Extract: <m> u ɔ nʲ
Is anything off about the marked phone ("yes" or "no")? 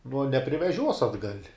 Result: yes